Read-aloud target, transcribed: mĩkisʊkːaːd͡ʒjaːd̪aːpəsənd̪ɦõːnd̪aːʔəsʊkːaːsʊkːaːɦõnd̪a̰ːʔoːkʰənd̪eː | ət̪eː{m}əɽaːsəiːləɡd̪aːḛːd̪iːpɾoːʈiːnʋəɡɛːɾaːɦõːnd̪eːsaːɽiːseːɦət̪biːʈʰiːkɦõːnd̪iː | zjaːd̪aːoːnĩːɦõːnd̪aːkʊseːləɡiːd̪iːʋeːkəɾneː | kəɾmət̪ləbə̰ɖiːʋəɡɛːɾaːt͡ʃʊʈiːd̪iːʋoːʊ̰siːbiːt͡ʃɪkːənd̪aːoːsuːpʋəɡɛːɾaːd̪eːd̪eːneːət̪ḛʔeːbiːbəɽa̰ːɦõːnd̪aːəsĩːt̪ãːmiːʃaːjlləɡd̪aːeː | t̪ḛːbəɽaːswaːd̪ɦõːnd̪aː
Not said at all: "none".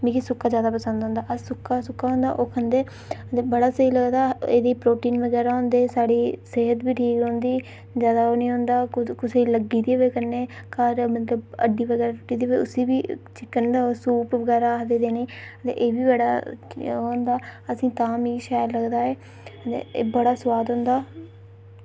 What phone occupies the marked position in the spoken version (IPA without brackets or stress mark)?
b